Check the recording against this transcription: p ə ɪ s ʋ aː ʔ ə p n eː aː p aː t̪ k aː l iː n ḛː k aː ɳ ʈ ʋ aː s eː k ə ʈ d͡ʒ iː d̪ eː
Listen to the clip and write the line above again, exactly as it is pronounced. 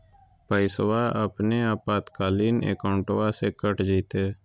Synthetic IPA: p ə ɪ s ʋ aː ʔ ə p n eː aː p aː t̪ k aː l iː n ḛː k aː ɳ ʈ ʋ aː s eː k ə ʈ d͡ʒ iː t̪ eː